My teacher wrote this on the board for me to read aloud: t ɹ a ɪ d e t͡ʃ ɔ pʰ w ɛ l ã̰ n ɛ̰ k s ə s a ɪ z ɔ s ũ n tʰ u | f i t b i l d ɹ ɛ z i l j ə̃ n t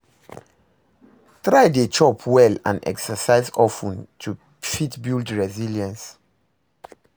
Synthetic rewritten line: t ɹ a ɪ d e t͡ʃ ɔ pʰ w ɛ l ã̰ n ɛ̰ k s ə s a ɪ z ɔ f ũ n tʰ u | f i t b i l d ɹ ɛ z i l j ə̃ n s